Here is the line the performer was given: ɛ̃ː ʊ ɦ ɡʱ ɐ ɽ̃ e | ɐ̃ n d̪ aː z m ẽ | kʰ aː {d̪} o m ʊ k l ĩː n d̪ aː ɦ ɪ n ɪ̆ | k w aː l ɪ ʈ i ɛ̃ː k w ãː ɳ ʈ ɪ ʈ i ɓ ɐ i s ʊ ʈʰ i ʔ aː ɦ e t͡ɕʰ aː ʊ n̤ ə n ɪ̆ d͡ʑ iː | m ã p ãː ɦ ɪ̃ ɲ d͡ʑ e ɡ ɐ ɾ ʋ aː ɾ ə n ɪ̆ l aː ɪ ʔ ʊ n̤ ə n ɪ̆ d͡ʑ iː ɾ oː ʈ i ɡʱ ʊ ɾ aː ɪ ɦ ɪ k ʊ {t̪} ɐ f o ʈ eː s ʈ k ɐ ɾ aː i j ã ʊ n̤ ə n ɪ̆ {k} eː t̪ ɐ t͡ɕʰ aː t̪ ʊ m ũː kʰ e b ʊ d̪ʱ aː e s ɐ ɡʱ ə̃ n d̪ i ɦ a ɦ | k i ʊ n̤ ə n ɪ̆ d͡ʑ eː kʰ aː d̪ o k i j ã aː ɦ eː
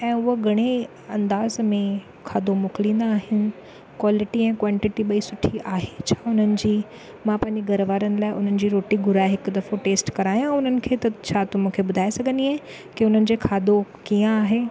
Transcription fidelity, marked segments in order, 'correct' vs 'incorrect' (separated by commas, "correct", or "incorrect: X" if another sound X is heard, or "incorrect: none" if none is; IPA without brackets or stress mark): correct, incorrect: d̪, incorrect: kʰ